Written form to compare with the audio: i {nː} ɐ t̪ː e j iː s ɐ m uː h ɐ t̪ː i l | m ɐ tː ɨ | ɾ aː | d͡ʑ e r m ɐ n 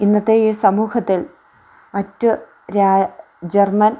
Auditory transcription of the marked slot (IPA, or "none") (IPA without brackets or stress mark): nː